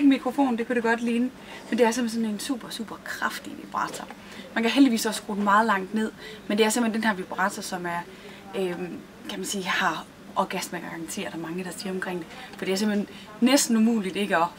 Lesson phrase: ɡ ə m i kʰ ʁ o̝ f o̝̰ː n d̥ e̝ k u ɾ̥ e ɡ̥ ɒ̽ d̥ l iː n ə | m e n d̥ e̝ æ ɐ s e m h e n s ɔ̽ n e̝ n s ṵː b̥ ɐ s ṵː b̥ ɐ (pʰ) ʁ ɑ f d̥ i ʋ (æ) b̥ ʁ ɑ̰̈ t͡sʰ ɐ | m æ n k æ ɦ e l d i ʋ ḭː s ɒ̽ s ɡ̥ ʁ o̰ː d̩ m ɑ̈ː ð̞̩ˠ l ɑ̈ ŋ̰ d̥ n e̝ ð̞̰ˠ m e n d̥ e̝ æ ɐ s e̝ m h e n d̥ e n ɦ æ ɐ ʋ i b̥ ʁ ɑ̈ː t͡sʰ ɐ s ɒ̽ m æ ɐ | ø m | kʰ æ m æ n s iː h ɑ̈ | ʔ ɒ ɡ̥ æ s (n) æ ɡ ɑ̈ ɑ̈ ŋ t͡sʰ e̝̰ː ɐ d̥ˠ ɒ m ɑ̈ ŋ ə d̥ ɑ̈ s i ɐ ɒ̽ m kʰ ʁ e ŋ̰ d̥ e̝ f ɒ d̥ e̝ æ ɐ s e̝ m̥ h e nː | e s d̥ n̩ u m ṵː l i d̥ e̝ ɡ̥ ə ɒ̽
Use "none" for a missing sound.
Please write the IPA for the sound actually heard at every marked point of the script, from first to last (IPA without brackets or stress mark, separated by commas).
kʰ, i, m